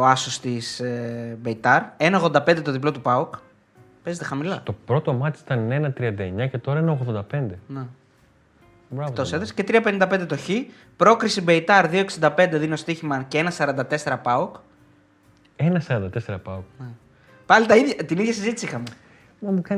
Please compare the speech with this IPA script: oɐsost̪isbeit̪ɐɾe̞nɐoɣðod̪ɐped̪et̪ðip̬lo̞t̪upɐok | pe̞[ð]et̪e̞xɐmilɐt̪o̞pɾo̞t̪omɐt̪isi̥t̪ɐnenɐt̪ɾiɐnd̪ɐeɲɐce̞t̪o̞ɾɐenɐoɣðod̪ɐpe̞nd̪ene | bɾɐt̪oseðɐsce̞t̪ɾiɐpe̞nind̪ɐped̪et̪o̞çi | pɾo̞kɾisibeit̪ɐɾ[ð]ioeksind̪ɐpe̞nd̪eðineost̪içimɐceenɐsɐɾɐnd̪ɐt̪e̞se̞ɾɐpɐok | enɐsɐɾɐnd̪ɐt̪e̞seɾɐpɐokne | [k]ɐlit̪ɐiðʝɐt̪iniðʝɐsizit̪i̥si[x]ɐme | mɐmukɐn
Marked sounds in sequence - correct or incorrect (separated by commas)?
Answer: incorrect, correct, incorrect, correct